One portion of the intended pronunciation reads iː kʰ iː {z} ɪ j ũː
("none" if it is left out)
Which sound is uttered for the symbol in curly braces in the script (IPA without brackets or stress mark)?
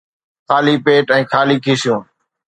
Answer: s